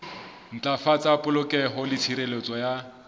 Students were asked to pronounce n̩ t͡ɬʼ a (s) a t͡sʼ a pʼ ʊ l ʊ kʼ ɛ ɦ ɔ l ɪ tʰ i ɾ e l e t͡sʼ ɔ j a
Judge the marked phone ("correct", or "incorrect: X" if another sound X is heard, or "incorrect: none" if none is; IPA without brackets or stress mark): incorrect: f